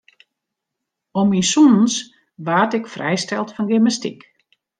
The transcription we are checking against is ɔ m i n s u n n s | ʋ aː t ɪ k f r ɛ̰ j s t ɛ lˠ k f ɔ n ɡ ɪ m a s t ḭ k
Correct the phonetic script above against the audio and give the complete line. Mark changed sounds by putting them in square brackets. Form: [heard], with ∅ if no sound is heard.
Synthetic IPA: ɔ m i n s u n n s | ʋ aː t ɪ k f r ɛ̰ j s t ɛ lˠ [t] f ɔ n ɡ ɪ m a s t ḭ k

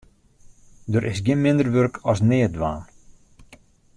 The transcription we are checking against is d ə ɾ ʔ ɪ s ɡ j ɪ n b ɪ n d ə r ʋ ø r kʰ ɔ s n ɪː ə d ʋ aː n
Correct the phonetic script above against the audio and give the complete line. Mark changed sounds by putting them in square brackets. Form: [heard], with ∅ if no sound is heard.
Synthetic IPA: d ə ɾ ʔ ɪ s ɡ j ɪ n [m] ɪ n d ə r ʋ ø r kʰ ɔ s n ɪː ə d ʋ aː n

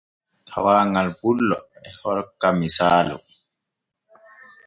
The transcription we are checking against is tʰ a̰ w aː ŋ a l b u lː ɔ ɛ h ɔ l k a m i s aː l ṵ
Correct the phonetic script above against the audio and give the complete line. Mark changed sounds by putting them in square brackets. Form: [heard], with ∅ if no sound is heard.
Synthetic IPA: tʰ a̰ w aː ŋ a l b u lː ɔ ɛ h ɔ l k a m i s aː l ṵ

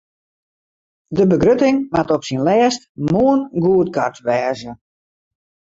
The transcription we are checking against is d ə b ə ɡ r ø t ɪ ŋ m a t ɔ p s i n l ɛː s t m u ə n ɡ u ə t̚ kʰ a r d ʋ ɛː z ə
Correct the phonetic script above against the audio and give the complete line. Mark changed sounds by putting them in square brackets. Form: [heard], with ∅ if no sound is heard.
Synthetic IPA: d ə b ə ɡ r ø t ɪ ŋ m a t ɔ p s i n l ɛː s t m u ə n ɡ u ə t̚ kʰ a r [t] ʋ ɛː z ə

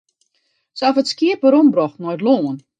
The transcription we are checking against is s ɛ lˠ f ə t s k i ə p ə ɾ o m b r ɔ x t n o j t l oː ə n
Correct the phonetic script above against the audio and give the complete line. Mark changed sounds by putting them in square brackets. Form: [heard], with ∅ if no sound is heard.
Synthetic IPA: s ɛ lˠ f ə t s k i ə p ə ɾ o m b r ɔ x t n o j t l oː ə n

